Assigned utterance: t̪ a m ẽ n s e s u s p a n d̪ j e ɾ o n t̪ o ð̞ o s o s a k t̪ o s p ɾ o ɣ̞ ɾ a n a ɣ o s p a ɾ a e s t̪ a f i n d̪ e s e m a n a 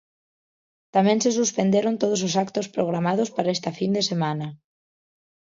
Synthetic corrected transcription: t̪ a m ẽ n s e s u s p e n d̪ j e ɾ o n t̪ o ð̞ o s o s a k t̪ o s p ɾ o ɣ̞ ɾ a m a ð o s p a ɾ a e s t̪ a f i n d̪ e s e m a n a